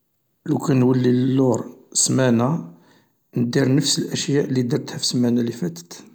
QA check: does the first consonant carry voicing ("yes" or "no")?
yes